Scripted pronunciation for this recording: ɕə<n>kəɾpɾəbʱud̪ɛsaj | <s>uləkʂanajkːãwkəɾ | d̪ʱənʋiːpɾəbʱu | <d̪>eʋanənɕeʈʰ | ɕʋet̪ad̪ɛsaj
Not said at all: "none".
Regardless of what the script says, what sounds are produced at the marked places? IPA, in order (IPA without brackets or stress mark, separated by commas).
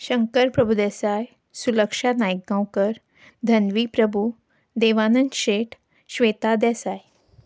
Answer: ŋ, s, d̪